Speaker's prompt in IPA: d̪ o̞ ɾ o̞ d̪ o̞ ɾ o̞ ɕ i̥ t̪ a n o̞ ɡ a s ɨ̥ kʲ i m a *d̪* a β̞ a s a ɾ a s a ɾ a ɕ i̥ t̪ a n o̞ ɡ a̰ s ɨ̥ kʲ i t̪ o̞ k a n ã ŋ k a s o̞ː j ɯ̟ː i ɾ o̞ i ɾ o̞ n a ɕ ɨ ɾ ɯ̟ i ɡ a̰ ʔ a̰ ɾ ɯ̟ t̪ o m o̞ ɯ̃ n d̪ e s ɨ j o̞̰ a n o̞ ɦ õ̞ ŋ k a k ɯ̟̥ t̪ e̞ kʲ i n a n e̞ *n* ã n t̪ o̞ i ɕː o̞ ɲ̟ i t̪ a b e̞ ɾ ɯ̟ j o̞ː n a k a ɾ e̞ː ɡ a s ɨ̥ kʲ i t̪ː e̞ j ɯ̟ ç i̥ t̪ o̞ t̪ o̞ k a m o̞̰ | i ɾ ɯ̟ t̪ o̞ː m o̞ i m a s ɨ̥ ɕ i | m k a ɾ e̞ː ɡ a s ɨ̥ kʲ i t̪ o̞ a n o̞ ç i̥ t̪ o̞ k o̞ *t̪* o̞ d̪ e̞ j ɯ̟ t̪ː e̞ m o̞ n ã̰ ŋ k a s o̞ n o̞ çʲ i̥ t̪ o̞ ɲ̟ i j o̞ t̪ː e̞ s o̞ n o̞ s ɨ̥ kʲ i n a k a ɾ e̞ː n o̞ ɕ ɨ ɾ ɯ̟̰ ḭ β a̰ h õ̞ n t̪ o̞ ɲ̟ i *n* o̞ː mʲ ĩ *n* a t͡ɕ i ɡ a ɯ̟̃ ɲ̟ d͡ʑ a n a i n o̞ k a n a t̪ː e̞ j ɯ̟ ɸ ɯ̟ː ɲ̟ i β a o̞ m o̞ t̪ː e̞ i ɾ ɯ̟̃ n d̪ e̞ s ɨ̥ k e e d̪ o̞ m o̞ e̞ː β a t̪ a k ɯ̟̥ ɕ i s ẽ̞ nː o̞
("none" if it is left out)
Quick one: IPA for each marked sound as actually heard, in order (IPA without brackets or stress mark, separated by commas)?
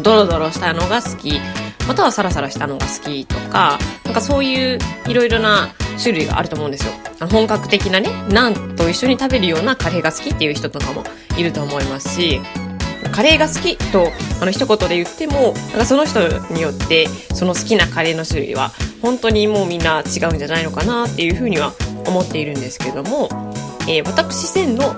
t̪, n, t̪, m, nː